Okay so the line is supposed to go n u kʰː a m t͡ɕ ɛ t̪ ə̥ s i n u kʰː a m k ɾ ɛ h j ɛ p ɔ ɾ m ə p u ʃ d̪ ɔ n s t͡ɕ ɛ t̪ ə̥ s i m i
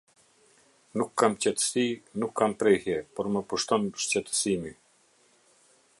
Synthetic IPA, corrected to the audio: n u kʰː a m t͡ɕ ɛ t̪ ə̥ s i n u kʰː a m p ɾ ɛ h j ɛ p ɔ ɾ m ə p u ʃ t̪ ɔ n ʃ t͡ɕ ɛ t̪ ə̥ s i m i